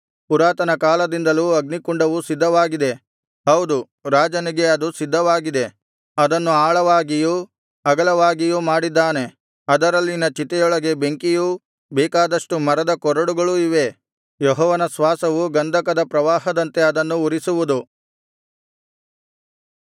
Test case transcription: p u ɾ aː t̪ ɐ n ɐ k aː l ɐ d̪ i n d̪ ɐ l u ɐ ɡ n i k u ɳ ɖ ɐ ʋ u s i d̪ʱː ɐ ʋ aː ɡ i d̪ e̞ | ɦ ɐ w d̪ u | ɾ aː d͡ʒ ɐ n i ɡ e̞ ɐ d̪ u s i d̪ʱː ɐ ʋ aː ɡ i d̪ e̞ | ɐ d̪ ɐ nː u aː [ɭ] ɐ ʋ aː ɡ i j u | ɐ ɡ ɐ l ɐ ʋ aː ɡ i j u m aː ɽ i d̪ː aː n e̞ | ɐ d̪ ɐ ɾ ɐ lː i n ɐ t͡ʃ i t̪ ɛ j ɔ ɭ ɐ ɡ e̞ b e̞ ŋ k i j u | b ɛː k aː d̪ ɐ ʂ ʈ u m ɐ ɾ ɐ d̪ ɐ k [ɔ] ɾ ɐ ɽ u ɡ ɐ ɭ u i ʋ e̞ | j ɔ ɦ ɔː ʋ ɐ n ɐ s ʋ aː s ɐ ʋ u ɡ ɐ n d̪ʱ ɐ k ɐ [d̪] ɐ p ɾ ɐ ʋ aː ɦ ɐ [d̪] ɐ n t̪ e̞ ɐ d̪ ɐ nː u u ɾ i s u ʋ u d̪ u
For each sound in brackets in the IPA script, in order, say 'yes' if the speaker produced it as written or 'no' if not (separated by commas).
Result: yes, yes, yes, yes